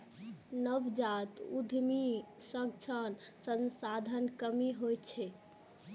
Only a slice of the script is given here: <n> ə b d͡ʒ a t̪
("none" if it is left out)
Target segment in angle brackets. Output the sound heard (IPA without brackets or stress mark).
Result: n